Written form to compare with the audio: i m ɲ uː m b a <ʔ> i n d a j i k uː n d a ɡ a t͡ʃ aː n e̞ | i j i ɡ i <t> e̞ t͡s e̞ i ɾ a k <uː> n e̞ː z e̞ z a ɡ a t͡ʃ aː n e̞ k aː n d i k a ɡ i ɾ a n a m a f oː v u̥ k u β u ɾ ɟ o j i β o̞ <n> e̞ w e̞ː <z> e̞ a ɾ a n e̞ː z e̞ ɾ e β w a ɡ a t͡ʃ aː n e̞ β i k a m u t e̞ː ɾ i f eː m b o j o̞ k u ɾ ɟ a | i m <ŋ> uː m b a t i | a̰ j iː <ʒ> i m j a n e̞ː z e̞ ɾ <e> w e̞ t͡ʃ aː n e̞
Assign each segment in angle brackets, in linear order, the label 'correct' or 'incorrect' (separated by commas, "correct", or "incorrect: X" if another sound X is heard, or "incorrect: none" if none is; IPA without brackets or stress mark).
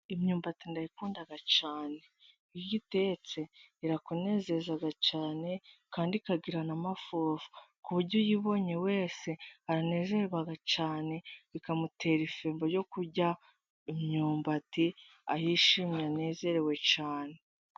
incorrect: t, correct, incorrect: u, incorrect: ɲ, incorrect: s, incorrect: ɲ, incorrect: ʃ, correct